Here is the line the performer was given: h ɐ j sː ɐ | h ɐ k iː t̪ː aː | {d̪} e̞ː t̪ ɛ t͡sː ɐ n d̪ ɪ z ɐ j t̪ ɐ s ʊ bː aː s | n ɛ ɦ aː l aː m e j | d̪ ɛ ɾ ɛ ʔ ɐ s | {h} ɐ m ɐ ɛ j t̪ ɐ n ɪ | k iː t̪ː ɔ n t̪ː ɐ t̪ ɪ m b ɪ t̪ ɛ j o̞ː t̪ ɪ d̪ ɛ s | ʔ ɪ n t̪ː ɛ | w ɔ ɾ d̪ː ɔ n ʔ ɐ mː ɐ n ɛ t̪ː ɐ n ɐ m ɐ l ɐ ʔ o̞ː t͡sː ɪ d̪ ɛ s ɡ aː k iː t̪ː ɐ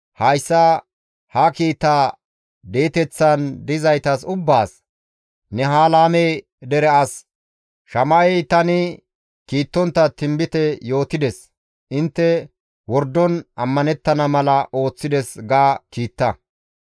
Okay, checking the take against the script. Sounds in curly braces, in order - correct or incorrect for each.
correct, incorrect

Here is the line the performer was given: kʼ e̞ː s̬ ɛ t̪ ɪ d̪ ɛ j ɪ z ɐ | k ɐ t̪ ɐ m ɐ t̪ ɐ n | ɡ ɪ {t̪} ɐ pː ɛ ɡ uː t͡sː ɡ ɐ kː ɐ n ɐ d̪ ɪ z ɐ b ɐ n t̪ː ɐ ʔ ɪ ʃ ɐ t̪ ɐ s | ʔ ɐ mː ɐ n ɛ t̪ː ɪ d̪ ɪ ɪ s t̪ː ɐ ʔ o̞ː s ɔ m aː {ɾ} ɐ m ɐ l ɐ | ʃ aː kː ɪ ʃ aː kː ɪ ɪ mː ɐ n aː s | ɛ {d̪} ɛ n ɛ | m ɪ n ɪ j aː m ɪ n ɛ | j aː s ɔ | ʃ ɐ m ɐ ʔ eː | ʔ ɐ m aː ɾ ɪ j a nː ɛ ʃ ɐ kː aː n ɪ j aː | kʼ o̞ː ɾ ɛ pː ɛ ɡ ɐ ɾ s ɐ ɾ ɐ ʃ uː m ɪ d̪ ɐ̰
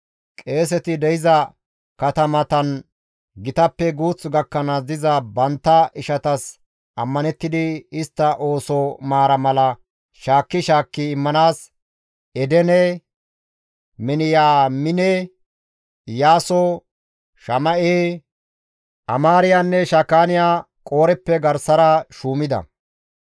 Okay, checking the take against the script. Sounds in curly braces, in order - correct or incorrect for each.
correct, correct, correct

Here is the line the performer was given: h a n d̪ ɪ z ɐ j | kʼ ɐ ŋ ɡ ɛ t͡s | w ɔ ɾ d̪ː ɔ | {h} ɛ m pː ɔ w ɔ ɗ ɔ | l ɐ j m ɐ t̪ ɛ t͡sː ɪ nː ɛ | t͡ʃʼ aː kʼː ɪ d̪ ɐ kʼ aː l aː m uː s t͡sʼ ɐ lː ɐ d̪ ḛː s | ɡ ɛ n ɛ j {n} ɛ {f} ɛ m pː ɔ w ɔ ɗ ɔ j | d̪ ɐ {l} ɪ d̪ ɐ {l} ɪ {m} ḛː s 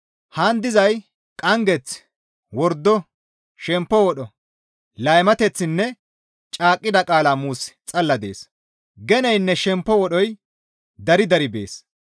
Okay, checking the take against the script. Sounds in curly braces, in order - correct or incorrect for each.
incorrect, incorrect, incorrect, incorrect, incorrect, incorrect

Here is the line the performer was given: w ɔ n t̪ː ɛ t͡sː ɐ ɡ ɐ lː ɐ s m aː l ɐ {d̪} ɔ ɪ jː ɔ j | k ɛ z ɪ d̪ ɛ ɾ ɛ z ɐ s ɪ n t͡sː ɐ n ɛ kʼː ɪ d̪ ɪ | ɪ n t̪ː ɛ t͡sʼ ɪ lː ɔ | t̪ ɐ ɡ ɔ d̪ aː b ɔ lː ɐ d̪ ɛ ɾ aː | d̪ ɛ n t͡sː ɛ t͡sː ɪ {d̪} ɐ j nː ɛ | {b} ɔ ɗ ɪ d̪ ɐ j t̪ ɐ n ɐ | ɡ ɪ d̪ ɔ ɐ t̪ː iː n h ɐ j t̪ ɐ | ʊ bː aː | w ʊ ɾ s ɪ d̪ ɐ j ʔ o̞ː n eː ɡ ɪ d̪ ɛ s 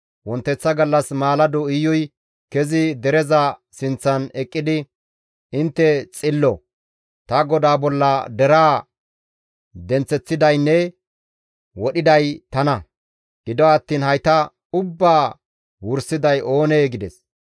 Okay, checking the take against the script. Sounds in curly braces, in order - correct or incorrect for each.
correct, correct, incorrect

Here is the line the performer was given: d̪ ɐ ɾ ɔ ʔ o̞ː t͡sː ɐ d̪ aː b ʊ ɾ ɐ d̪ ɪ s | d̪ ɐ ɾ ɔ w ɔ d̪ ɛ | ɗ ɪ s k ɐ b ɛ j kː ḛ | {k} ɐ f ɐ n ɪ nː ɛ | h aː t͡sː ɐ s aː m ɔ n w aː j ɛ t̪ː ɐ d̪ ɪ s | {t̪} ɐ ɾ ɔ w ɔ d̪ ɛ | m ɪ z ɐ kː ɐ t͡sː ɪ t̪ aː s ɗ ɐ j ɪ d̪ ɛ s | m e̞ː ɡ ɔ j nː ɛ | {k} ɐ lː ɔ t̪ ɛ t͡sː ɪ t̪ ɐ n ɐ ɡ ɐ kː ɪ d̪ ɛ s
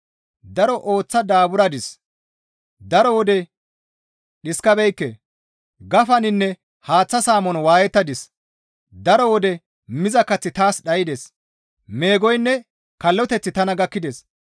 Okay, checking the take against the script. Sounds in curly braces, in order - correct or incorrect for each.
incorrect, incorrect, correct

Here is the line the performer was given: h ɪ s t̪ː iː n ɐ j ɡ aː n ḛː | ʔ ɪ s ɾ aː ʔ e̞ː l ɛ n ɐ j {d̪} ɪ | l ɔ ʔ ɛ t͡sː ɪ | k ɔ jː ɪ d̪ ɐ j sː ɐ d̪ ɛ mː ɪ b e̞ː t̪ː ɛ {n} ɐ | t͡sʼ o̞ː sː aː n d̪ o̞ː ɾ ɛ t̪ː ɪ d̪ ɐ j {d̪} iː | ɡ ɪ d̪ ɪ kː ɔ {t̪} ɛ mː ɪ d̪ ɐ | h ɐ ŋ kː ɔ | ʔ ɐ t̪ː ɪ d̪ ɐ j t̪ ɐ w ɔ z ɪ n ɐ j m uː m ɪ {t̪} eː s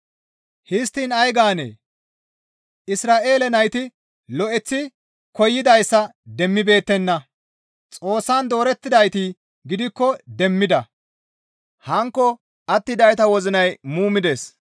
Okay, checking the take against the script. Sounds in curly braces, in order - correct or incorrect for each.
incorrect, incorrect, incorrect, incorrect, incorrect

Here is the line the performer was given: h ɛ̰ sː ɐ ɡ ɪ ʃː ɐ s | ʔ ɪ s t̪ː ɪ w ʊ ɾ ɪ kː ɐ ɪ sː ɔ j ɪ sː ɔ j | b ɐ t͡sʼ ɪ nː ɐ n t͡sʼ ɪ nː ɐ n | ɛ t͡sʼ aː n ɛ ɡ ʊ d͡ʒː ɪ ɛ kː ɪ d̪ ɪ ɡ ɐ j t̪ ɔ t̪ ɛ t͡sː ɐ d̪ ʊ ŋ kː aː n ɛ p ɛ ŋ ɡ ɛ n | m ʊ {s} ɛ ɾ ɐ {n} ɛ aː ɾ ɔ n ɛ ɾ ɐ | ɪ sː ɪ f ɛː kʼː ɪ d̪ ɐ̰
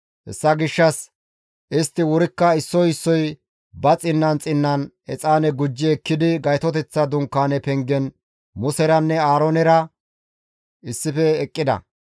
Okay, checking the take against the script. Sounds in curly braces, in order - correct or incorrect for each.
correct, incorrect

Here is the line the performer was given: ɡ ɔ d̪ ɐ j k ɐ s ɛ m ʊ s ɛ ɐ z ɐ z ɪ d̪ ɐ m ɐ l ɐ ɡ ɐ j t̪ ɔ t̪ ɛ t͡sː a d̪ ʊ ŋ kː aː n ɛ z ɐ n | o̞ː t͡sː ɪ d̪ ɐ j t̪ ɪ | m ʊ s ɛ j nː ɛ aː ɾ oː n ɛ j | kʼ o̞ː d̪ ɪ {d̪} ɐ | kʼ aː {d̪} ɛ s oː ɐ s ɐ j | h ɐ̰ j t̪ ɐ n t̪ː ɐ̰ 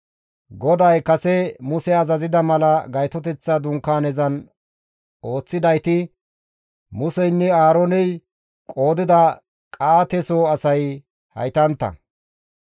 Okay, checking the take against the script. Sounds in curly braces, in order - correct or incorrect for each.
correct, incorrect

